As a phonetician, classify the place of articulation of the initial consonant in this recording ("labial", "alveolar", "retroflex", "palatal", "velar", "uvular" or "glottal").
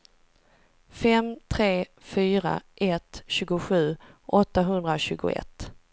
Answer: labial